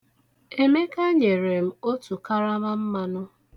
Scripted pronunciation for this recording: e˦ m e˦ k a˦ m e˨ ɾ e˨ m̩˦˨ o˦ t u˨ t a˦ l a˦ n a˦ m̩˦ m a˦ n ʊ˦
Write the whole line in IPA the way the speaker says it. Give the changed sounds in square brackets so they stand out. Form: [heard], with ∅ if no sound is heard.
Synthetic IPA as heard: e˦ m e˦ k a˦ [ɲ] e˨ ɾ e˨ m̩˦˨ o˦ t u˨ [k] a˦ [ɾ] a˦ [m] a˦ m̩˦ m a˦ n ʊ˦